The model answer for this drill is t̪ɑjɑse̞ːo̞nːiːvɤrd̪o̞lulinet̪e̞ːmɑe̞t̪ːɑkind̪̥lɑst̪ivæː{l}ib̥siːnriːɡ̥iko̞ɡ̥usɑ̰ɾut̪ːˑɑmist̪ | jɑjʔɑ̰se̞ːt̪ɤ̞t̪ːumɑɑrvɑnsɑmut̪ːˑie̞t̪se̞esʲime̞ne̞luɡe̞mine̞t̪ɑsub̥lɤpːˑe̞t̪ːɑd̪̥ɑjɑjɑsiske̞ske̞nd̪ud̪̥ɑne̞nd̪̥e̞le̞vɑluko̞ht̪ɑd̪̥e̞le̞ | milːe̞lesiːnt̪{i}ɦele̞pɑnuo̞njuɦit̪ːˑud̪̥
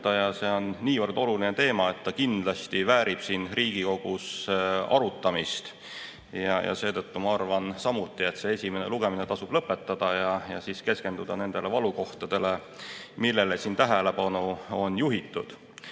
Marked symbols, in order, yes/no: no, no

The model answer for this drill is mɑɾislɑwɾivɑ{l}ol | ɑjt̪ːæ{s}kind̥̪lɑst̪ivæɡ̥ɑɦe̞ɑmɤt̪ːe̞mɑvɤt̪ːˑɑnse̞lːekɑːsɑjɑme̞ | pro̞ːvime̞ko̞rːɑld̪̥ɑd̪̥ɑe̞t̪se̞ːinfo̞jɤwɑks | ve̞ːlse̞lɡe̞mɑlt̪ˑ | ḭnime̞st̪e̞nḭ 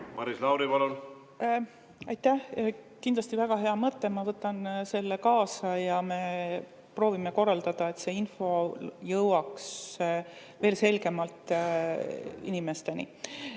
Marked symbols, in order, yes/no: yes, no

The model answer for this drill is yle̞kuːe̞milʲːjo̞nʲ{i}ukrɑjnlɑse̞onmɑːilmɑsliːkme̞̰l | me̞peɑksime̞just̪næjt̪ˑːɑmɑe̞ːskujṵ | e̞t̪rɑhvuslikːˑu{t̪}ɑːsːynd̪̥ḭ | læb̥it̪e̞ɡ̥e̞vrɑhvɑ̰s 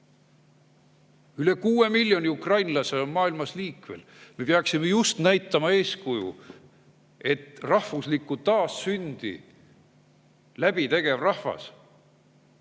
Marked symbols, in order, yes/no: yes, yes

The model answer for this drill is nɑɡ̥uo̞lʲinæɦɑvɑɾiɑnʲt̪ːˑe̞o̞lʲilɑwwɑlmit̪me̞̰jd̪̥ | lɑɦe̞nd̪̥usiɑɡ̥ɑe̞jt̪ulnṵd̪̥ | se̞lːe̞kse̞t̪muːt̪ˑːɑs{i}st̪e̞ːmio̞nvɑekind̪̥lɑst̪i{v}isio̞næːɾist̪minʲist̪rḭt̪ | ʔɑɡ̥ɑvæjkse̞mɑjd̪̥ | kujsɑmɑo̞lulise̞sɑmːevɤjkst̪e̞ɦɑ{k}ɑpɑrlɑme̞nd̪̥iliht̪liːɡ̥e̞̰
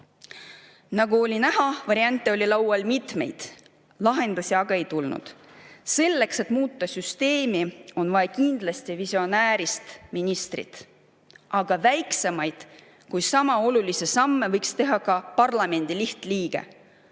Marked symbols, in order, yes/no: no, yes, yes

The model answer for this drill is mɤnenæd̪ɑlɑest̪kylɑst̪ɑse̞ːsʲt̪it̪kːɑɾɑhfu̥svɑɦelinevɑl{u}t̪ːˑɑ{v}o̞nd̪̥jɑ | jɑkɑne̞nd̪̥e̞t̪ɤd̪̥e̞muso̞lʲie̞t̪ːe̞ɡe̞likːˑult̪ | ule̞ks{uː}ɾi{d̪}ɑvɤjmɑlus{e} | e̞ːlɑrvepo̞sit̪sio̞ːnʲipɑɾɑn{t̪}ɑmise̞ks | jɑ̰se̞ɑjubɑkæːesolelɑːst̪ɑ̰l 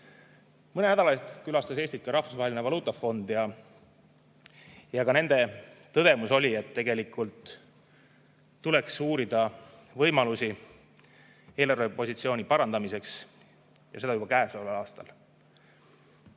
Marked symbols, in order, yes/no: no, no, yes, yes, no, no

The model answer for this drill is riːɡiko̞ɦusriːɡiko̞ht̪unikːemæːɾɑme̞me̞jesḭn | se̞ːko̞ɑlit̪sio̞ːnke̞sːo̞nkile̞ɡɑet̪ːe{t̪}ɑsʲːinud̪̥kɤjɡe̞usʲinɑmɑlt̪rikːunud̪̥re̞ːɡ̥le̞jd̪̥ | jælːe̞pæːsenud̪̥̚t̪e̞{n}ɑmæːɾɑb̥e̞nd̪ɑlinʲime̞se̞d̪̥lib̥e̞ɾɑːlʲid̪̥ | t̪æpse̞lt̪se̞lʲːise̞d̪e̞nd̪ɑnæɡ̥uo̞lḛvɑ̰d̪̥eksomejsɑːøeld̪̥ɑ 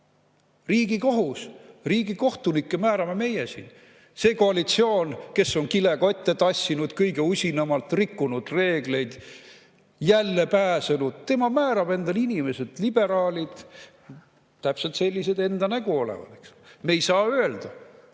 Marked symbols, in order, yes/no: yes, no

